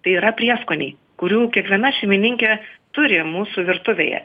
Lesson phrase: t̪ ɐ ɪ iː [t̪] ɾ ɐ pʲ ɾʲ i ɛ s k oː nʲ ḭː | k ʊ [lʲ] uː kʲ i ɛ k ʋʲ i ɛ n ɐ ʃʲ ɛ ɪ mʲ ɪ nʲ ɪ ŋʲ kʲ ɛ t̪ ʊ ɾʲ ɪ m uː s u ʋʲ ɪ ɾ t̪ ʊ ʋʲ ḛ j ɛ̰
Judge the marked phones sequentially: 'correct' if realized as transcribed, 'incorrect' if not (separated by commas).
incorrect, incorrect